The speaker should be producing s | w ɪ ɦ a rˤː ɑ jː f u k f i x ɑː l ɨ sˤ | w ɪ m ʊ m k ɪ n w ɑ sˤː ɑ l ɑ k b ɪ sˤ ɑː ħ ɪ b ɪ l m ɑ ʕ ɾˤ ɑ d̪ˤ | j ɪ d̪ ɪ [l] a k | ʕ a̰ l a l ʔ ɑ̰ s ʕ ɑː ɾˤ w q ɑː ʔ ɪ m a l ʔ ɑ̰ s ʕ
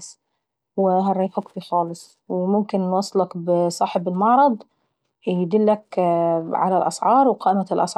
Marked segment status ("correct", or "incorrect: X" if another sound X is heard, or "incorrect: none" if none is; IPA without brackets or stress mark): incorrect: lː